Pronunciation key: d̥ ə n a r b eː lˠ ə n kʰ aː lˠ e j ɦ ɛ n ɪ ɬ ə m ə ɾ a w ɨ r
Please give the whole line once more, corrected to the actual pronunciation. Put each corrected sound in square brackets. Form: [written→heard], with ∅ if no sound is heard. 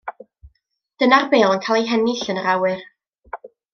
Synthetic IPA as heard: d̥ ə n a r b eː lˠ ə n kʰ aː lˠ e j ɦ ɛ n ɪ ɬ ə [m→n] ə ɾ a w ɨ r